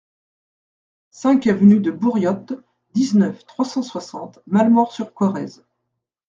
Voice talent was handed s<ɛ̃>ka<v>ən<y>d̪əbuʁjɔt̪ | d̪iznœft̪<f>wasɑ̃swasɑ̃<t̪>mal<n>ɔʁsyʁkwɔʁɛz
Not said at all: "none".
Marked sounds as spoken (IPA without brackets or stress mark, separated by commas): ɛ̃, v, y, χ, t̪, m